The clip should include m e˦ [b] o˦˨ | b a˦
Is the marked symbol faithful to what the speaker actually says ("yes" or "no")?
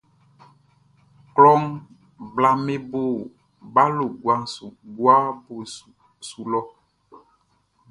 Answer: yes